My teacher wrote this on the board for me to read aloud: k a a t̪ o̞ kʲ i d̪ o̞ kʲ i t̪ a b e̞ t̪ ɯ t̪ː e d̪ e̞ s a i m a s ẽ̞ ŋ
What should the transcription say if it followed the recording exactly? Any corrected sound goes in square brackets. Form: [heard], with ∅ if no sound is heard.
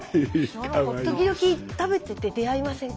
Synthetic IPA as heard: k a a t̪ o̞ kʲ i d̪ o̞ kʲ i t̪ a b e̞ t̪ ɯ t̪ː e d̪ e̞ [∅] a i m a s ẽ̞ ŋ